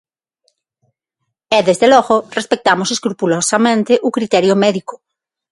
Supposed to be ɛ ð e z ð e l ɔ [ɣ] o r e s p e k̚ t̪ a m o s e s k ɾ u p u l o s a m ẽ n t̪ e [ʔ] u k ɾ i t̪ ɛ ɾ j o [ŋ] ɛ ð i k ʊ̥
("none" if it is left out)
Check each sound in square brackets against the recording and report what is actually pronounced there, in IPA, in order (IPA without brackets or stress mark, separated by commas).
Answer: ɣ, ʔ, m